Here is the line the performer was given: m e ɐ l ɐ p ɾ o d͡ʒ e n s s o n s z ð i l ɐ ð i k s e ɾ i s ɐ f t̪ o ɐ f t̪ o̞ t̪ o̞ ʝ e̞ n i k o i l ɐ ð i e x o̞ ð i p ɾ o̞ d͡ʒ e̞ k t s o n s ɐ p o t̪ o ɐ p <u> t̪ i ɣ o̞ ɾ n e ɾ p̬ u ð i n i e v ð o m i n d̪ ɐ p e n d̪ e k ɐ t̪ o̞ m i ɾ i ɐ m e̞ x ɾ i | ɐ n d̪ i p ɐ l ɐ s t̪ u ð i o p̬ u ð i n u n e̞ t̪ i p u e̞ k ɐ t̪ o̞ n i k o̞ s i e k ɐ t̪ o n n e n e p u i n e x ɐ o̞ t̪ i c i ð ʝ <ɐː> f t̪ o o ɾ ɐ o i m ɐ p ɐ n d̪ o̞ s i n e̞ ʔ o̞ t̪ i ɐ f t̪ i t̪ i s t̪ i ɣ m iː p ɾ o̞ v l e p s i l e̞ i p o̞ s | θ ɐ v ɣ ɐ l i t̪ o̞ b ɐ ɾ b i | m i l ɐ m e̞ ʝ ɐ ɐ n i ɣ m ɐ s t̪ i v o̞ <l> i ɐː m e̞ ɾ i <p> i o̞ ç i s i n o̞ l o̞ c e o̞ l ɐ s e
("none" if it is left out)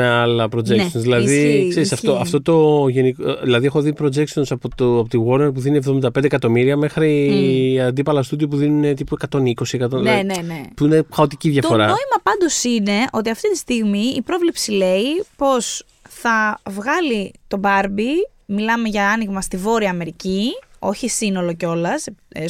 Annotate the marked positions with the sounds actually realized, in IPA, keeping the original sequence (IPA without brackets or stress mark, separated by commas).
o, ɐ, ɾ, c